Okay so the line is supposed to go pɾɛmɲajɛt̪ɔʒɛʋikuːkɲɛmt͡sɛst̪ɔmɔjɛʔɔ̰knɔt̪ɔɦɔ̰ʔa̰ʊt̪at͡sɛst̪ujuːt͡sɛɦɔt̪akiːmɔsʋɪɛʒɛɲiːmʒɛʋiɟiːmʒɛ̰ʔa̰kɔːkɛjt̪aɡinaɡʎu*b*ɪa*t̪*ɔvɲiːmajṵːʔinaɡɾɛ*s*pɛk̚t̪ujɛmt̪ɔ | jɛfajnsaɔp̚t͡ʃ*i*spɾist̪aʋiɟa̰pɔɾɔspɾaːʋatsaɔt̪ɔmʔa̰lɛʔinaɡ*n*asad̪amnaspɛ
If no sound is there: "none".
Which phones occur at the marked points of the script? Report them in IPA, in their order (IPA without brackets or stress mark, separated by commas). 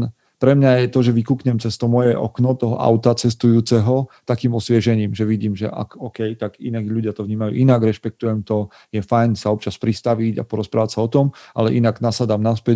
ɟ, t̪, ʃ, a, n